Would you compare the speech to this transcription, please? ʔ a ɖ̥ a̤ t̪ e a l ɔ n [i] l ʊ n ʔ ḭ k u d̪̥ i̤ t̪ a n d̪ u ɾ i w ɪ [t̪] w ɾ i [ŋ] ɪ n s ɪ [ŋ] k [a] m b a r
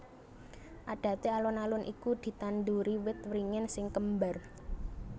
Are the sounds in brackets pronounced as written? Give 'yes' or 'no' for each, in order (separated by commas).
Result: no, yes, yes, yes, no